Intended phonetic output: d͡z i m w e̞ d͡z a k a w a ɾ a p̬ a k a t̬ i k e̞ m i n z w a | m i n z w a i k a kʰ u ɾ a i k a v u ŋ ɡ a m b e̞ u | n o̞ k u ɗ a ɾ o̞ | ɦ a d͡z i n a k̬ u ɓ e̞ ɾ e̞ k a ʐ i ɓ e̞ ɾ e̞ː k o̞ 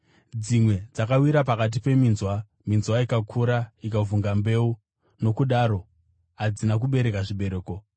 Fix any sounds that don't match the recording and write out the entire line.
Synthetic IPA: d͡z i m w e̞ d͡z a k a w i ɾ a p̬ a k a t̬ i p e̞ m i n z w a | m i n z w a i k a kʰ u ɾ a i k a v u ŋ ɡ a m b e̞ u | n o̞ k u ɗ a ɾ o̞ | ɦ a d͡z i n a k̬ u ɓ e̞ ɾ e̞ k a ʐ i ɓ e̞ ɾ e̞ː k o̞